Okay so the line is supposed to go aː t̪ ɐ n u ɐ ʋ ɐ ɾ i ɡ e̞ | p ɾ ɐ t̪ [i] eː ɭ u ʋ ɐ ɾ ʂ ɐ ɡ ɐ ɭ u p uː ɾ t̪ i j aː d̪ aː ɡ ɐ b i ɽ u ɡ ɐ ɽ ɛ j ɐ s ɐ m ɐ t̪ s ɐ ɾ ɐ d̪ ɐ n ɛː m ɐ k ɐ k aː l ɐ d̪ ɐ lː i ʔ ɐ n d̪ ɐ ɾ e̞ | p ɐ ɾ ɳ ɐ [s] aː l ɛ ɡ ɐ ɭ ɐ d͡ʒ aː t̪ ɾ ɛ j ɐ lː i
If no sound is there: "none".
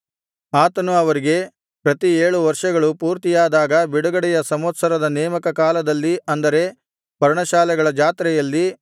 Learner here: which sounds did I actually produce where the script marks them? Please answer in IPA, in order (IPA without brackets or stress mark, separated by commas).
i, ʃ